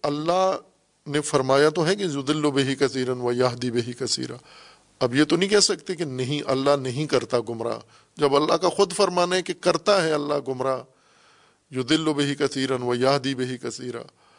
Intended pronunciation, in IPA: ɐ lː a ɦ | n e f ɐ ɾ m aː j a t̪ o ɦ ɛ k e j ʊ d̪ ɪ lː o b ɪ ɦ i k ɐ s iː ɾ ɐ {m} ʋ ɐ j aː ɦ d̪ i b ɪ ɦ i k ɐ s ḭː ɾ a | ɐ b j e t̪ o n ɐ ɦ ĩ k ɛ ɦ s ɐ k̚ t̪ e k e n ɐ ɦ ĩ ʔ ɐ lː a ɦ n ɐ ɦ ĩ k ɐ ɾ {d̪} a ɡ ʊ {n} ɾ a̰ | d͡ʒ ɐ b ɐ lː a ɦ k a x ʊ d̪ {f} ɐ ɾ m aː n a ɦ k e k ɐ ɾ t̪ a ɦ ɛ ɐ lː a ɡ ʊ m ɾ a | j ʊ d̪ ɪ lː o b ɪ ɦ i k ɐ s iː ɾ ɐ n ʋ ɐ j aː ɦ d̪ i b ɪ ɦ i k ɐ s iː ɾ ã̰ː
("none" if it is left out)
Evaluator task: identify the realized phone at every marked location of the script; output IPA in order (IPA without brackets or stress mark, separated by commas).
n, t̪, m, f